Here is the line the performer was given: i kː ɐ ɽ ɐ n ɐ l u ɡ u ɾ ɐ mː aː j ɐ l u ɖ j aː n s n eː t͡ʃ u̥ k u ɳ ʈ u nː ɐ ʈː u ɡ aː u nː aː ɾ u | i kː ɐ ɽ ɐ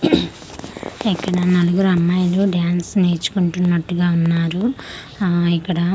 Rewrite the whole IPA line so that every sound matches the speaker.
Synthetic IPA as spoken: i kː ɐ ɽ ɐ n ɐ l u ɡ u ɾ ɐ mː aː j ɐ l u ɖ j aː n s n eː t͡ʃ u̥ k u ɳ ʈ u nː ɐ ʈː u ɡ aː u nː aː ɾ u | i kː ɐ ɽ ɐ